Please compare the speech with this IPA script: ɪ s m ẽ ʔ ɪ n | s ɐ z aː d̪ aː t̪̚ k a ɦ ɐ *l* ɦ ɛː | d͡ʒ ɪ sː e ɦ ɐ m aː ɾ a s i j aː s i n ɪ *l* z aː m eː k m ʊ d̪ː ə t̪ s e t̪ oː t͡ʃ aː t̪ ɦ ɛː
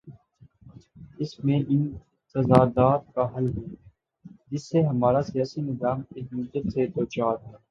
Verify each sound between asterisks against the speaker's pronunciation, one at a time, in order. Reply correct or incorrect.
correct, incorrect: none

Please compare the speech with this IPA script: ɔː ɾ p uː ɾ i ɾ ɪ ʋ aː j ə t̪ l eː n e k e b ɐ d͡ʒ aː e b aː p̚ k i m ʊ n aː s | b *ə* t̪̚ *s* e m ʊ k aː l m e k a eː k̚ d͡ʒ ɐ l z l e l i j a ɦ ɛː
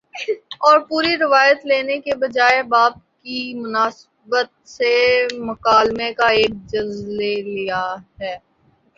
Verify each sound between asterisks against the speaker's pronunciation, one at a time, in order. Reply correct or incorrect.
correct, correct

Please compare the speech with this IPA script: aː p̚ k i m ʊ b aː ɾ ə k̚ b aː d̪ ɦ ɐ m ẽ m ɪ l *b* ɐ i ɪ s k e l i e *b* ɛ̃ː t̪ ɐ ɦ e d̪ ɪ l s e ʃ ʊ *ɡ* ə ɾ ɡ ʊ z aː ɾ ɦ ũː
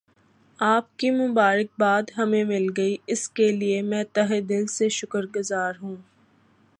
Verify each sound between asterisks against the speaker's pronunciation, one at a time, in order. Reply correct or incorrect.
incorrect: ɡ, incorrect: m, incorrect: k

